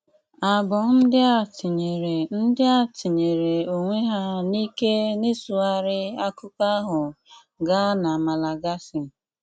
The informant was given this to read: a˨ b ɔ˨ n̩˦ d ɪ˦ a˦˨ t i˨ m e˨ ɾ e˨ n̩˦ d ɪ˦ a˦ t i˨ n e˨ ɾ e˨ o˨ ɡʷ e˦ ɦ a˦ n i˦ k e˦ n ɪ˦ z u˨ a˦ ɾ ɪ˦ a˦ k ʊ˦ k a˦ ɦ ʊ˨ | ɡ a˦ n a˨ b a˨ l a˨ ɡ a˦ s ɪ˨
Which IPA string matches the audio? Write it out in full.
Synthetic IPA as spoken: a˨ b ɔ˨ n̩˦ d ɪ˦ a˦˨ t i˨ ɲ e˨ ɾ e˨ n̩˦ d ɪ˦ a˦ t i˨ ɲ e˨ ɾ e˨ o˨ ŋʷ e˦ ɦ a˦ n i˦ k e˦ n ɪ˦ s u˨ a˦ ɾ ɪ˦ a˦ k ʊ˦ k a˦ ɦ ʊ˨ | ɡ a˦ n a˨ m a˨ l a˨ ɡ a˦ s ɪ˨